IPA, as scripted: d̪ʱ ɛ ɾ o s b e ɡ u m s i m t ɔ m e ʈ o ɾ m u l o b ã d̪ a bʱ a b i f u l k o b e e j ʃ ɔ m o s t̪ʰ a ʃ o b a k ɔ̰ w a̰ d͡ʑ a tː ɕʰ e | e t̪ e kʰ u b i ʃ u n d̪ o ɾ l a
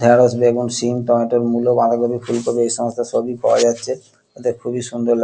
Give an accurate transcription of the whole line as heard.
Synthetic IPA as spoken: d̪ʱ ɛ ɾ o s b e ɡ u n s i m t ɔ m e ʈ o ɾ m u l o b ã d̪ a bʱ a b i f u l k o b e e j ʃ ɔ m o s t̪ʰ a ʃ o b i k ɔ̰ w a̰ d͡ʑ a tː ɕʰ e | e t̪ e kʰ u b i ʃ u n d̪ o ɾ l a

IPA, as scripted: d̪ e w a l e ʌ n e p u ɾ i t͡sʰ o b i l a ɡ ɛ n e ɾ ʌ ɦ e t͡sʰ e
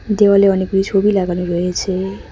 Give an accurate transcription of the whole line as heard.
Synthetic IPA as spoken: d̪ e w a l e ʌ n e k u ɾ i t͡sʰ o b i l a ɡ a n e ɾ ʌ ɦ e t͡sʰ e

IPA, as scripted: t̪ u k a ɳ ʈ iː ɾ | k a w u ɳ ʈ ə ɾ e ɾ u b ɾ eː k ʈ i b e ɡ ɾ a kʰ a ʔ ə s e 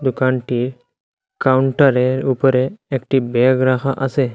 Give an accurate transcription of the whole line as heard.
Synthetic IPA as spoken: d̪ u k a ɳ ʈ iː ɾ | k a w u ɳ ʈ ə ɾ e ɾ u p ɾ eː k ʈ i b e ɡ ɾ a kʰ a ʔ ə s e

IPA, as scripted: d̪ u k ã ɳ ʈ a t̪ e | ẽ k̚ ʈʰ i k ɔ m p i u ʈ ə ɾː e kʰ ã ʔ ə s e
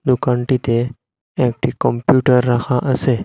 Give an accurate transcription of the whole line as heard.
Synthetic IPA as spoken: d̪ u k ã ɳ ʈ i t̪ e | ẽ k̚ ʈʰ i k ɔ m p j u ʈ ə ɾː a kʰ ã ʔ ə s e

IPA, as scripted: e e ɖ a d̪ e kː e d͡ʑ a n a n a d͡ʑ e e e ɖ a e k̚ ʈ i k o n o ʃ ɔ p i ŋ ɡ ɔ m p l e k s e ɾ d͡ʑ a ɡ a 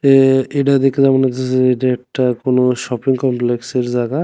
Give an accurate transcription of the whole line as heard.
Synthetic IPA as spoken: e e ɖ a d̪ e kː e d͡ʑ a m a n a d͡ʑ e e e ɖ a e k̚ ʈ a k o n o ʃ ɔ p i ŋ k ɔ m p l e k s e ɾ d͡ʑ a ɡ a

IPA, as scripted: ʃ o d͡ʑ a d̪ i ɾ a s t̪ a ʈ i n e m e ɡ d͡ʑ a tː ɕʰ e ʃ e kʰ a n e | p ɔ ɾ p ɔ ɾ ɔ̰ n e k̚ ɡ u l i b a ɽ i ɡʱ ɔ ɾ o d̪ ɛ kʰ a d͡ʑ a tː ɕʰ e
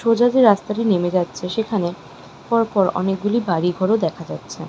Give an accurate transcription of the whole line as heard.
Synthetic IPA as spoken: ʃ o d͡ʑ a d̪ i ɾ a s t̪ a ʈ i n e m e d͡ʑ a tː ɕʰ e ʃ e kʰ a n e | p ɔ ɾ p ɔ ɾ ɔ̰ n e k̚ ɡ u l i b a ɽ i ɡʱ ɔ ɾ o d̪ ɛ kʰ a d͡ʑ a tː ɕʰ e

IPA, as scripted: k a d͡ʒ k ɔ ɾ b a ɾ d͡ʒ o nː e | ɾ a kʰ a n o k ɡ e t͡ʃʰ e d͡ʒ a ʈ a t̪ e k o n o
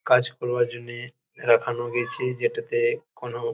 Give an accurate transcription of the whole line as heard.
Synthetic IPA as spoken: k a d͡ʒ k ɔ ɾ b a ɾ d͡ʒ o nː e | ɾ a kʰ a n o ɡ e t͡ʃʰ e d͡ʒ e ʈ a t̪ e k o n o

